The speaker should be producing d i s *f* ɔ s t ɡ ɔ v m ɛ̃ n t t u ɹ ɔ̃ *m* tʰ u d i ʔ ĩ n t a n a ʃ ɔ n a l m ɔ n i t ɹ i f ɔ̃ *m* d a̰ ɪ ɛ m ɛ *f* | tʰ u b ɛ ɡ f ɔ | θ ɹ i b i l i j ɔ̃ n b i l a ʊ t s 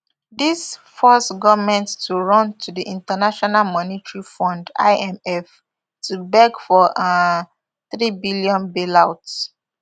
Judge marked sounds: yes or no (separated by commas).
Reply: yes, no, no, yes